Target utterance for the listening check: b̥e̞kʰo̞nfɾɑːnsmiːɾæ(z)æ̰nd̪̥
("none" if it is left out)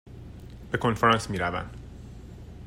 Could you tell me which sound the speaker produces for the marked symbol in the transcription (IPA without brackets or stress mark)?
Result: v